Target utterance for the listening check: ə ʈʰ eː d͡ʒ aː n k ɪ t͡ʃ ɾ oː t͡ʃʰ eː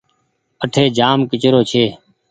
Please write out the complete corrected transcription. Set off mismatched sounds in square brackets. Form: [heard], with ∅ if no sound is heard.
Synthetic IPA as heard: ə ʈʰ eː d͡ʒ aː [m] k ɪ t͡ʃ ɾ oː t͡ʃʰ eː